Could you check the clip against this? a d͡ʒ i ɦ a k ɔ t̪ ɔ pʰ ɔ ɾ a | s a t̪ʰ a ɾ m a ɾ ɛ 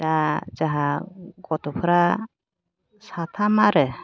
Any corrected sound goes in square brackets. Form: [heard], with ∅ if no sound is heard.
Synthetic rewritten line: a d͡ʒ [a] ɦ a [ɡ] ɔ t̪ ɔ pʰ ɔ ɾ a | s a t̪ʰ a [∅] m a ɾ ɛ